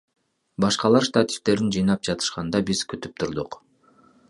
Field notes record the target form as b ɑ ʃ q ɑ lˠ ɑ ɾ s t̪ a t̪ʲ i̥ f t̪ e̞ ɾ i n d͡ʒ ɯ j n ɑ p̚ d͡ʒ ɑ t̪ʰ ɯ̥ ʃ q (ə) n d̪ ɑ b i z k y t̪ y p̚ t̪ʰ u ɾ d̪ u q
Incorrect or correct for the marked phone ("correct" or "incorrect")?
incorrect